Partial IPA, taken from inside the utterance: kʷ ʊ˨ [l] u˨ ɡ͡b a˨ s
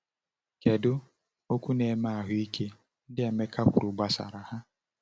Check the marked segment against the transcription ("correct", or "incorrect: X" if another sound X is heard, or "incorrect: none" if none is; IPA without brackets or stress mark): incorrect: ɾ